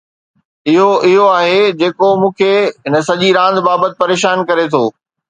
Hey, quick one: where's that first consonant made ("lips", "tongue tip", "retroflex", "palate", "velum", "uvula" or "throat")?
throat